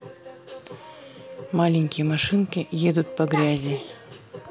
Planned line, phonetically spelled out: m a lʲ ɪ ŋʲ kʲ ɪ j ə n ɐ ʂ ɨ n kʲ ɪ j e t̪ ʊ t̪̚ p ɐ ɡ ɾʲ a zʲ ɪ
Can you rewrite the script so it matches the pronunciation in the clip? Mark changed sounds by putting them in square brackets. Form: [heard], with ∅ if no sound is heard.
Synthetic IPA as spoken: m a lʲ ɪ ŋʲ kʲ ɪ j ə [m] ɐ ʂ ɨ n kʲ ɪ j e [d̪] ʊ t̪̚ p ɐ ɡ ɾʲ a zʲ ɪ

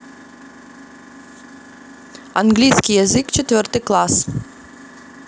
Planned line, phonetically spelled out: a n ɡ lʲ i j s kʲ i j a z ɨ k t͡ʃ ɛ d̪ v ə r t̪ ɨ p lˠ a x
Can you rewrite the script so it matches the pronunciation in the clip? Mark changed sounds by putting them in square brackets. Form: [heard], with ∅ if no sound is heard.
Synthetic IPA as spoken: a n ɡ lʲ i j s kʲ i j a z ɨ k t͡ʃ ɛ [t̪] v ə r t̪ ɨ [k] lˠ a [s]

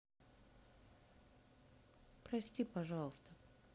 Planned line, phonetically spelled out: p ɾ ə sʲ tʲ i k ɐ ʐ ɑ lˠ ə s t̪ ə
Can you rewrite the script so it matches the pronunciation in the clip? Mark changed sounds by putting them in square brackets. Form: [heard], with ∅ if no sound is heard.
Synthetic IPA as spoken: p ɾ [ɐ] sʲ tʲ i [p] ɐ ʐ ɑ lˠ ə s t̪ ə

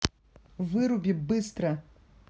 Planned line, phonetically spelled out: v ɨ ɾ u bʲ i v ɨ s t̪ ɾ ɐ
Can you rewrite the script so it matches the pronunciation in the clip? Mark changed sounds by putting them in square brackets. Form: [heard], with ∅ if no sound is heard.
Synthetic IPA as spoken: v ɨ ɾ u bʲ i [b] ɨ s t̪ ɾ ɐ

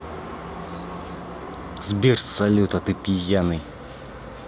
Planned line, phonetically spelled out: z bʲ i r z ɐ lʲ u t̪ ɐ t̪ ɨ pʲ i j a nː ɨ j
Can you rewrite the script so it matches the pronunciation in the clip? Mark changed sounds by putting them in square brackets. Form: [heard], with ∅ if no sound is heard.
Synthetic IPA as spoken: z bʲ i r [s] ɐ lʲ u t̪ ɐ t̪ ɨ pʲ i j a [n] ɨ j

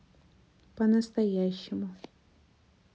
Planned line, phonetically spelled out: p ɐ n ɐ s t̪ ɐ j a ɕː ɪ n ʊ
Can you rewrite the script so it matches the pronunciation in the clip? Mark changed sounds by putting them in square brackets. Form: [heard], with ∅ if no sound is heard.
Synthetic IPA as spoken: p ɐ n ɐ s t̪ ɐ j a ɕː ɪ [m] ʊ

